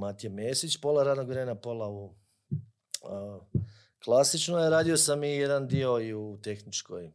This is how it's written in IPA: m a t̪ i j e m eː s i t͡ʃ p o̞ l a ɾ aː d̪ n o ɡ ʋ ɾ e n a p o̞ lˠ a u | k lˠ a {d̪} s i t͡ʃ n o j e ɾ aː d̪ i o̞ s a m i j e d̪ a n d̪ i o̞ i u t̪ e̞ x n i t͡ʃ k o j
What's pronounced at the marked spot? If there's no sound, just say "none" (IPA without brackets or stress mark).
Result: none